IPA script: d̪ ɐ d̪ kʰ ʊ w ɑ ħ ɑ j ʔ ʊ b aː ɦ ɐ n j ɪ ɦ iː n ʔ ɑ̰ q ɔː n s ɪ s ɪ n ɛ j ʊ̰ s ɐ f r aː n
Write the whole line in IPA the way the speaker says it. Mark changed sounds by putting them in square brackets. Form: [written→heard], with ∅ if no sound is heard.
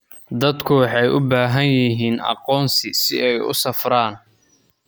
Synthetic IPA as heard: d̪ ɐ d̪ kʰ ʊ w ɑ ħ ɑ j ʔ ʊ b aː ɦ ɐ n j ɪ ɦ iː n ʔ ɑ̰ q ɔː n s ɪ s ɪ [n→∅] ɛ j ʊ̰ s ɐ f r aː n